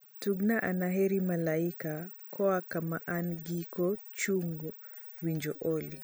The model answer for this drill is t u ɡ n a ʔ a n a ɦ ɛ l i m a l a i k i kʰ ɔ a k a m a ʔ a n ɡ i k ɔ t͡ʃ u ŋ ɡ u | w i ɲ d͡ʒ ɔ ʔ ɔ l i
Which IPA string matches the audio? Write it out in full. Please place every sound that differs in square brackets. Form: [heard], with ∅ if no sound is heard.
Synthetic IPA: t u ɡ n a ʔ a n a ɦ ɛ [ɾ] i m a l a i k [a] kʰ ɔ a k a m a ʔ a n ɡ i k ɔ t͡ʃ u ŋ ɡ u | w i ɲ d͡ʒ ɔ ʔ ɔ l i